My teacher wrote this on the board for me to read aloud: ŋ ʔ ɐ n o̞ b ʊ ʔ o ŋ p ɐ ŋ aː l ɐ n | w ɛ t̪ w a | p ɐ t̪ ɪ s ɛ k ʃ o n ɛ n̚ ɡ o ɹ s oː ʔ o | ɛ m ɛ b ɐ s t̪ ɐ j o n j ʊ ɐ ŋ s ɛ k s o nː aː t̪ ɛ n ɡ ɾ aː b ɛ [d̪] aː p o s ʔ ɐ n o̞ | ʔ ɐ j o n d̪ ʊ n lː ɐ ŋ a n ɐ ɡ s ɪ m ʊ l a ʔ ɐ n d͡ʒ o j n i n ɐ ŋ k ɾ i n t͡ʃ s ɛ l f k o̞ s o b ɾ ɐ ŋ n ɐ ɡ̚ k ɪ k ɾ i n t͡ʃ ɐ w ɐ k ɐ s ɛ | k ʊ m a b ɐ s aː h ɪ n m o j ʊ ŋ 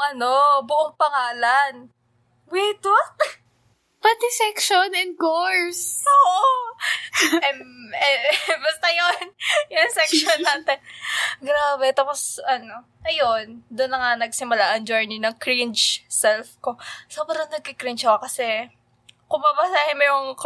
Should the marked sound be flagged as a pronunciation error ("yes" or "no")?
yes